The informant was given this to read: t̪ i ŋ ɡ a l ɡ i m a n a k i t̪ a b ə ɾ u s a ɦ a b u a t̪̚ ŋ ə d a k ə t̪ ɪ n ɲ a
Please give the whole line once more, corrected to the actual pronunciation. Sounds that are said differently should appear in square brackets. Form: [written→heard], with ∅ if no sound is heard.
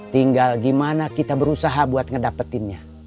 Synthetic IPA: t̪ i ŋ ɡ a l ɡ i m a n a k i t̪ a b ə ɾ u s a ɦ a b u a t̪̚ ŋ ə d a [k→p] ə t̪ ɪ n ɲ a